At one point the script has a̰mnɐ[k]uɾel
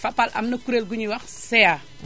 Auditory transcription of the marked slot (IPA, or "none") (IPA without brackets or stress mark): k